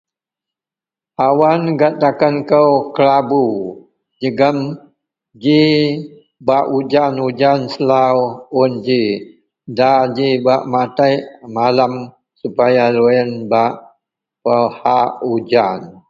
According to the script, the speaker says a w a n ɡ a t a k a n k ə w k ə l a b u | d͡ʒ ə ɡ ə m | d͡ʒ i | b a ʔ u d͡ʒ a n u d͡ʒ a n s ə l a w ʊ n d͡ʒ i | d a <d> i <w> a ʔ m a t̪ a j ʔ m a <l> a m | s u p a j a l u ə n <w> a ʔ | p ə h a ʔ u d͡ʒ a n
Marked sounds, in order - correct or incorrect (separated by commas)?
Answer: incorrect, incorrect, correct, incorrect